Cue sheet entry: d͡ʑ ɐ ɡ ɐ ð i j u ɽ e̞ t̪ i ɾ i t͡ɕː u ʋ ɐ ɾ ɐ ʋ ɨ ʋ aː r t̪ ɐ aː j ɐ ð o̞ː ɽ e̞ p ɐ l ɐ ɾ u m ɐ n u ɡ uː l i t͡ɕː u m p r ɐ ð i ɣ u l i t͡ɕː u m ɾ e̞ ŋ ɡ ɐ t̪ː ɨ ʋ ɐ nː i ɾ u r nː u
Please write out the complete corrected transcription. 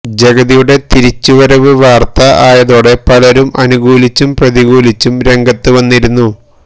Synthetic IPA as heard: d͡ʑ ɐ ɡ ɐ ð i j u ɽ e̞ t̪ i ɾ i t͡ɕː u ʋ ɐ ɾ ɐ ʋ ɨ ʋ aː r t̪ ɐ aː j ɐ ð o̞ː ɽ e̞ p ɐ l ɐ ɾ u m ɐ n u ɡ uː l i t͡ɕː u m p r ɐ ð i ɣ uː l i t͡ɕː u m ɾ e̞ ŋ ɡ ɐ t̪ː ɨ ʋ ɐ nː i ɾ u nː u

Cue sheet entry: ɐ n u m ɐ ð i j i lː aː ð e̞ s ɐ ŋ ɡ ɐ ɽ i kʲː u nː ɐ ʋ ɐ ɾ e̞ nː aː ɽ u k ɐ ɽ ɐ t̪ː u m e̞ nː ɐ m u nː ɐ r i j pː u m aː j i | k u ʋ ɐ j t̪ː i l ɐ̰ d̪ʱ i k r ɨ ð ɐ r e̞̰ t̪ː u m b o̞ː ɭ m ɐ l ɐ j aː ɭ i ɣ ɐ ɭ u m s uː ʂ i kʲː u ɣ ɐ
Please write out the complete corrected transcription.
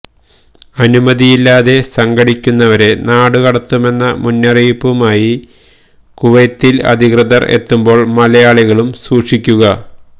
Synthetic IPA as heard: ɐ n u m ɐ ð i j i lː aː ð e̞ s ɐ ŋ ɡ ɐ ɽ i kʲː u nː ɐ ʋ ɐ ɾ e̞ n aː ɽ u k ɐ ɽ ɐ t̪ː u m e̞ nː ɐ m u nː ɐ r i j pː u m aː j i | k u ʋ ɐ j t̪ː i l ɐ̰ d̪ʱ i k r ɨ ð ɐ r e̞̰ t̪ː u m b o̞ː ɭ m ɐ l ɐ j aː ɭ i ɣ ɐ ɭ u m s uː ʂ i kʲː u ɣ ɐ

